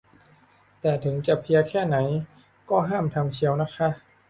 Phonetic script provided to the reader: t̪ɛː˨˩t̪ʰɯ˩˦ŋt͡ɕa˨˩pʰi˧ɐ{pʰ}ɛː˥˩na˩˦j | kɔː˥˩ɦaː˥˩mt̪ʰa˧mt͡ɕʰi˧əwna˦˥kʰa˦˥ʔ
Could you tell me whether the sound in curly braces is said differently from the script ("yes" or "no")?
yes